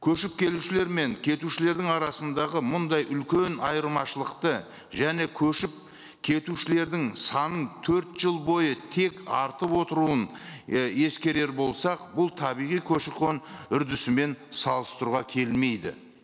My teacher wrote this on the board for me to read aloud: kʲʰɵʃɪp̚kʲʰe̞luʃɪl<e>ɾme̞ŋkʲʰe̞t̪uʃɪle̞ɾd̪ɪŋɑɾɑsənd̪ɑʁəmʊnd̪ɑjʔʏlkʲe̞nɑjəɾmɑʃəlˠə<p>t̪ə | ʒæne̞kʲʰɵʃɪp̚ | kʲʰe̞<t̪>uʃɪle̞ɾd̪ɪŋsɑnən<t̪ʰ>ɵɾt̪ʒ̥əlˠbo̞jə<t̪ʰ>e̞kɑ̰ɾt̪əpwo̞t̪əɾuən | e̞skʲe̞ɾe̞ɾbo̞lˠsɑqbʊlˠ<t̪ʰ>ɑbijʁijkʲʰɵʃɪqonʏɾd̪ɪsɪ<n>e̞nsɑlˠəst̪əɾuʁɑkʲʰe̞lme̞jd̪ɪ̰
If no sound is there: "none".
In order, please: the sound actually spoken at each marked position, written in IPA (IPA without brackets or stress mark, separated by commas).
e, q, t̪, t̪ʰ, t̪ʰ, t̪ʰ, m